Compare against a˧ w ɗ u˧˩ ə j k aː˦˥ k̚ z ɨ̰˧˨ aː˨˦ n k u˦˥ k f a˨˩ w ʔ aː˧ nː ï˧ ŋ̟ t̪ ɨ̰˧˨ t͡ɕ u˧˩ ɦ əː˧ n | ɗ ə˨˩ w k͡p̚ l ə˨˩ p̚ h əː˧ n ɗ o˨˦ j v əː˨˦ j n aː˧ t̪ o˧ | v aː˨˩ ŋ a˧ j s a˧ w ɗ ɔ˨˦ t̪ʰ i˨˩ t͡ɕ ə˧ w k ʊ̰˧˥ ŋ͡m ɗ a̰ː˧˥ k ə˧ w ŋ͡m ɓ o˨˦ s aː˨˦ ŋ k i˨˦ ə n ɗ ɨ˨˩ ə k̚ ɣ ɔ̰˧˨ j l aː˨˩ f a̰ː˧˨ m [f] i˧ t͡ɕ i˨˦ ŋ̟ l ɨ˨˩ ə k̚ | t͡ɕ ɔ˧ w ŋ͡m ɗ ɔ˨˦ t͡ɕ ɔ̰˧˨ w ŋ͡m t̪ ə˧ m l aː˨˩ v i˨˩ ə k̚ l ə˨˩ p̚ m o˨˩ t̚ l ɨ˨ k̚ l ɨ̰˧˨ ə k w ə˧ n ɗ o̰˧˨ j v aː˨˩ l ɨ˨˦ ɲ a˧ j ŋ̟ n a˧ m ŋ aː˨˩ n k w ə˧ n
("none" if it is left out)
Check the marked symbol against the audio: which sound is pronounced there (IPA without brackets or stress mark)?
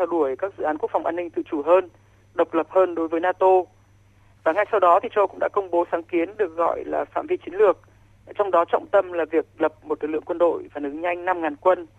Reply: v